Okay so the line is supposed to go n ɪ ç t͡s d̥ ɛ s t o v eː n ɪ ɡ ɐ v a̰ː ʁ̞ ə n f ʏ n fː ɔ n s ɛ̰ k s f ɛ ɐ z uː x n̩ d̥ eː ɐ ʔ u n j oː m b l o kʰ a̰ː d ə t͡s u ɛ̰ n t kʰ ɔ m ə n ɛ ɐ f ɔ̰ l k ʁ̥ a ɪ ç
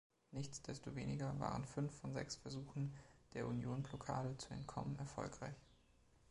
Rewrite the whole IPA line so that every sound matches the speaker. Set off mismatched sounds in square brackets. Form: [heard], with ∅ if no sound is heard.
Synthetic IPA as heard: n ɪ ç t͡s d̥ ɛ s t o v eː n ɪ ɡ ɐ v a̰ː ʁ̞ ə n f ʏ n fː ɔ n [z] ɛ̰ k s f ɛ ɐ z uː x n̩ d̥ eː ɐ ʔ u n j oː [n] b l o kʰ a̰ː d ə t͡s u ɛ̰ n t kʰ ɔ m ə n ɛ ɐ f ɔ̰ l k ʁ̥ a ɪ ç